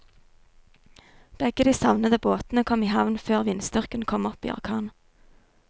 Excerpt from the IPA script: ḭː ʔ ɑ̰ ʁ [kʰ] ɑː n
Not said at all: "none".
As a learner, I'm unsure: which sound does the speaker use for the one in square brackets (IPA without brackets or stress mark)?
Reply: kʰ